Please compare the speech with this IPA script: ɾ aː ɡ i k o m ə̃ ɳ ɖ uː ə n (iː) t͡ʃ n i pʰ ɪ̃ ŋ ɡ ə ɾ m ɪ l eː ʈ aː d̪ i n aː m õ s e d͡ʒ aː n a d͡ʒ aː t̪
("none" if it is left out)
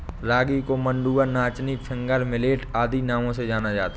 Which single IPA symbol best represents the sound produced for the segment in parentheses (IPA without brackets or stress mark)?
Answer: aː